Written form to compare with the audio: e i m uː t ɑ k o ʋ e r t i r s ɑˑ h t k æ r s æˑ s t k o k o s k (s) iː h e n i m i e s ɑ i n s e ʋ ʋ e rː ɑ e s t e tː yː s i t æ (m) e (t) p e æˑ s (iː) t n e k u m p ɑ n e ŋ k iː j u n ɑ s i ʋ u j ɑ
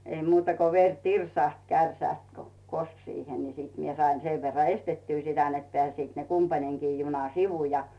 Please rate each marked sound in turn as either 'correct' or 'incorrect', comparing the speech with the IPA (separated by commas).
correct, incorrect, correct, correct